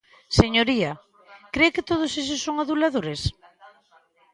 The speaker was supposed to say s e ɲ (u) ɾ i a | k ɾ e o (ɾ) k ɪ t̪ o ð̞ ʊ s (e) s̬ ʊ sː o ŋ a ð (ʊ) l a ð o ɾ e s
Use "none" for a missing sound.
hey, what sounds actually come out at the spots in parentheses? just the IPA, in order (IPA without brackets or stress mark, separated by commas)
o, none, e, u